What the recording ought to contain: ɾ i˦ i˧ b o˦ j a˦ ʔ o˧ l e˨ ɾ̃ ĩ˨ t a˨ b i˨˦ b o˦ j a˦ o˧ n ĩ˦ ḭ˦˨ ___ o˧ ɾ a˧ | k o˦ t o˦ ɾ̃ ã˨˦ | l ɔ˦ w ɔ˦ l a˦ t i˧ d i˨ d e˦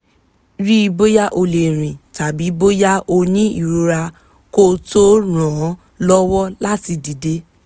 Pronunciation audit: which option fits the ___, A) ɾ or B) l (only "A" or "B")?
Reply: A